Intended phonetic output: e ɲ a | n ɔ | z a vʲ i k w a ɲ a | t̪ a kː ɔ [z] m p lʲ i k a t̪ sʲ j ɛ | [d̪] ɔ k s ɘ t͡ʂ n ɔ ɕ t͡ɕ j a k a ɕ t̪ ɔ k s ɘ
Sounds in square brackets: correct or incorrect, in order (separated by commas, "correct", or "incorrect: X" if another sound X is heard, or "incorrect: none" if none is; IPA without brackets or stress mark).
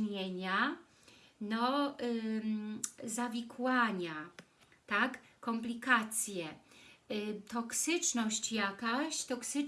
incorrect: none, incorrect: t̪